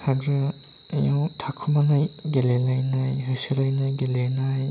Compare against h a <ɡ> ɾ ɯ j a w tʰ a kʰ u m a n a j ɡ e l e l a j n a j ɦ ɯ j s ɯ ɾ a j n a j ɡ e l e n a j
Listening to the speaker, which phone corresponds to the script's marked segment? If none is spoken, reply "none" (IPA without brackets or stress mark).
ɡ